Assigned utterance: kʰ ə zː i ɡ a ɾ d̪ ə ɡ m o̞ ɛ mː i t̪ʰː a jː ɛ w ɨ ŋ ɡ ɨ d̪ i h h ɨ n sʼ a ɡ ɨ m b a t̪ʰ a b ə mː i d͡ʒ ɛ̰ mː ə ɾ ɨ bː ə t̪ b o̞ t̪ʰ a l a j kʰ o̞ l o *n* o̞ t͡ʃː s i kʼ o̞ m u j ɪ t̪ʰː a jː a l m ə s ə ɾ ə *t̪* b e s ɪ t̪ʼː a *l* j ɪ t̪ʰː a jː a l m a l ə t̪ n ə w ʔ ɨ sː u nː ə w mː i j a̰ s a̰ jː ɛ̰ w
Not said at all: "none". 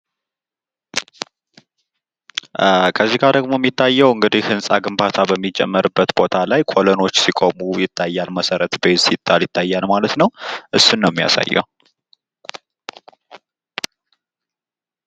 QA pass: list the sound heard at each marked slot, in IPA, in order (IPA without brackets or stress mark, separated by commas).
n, t̪, l